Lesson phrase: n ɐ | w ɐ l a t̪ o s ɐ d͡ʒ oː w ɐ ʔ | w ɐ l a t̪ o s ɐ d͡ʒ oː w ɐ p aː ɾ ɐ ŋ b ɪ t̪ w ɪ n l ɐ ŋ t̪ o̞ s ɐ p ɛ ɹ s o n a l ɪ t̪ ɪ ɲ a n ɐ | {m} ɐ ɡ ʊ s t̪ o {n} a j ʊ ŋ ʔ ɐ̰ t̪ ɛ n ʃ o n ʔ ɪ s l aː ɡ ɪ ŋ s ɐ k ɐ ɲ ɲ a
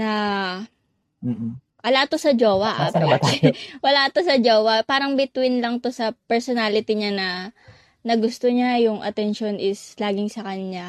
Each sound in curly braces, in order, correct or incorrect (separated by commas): incorrect, incorrect